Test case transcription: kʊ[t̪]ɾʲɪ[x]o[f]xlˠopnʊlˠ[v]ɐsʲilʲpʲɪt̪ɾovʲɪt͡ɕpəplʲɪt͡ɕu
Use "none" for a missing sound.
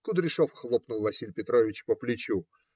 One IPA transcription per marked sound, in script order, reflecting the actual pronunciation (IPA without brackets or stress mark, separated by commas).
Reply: d̪, ʂ, f, v